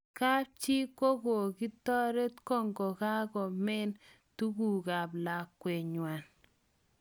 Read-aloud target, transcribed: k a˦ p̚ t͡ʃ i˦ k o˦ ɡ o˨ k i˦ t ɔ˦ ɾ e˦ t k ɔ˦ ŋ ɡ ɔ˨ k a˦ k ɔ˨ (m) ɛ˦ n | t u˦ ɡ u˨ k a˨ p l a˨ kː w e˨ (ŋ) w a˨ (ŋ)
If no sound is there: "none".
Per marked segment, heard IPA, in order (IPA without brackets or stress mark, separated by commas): m, ɲ, n